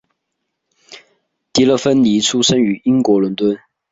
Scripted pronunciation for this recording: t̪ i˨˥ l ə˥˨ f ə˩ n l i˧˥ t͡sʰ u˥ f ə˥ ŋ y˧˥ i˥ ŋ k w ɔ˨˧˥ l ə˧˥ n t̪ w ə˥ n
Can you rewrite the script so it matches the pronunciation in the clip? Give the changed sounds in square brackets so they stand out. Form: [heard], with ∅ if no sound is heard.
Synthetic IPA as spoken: t̪ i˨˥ l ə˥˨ f [ə˥] n l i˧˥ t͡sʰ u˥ [ʂ] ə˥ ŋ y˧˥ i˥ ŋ k w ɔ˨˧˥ l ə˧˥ n t̪ w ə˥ n